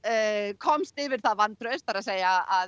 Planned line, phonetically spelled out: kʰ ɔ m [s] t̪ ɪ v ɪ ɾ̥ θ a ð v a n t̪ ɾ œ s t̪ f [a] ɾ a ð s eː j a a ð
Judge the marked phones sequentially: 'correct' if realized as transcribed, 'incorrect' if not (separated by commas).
correct, correct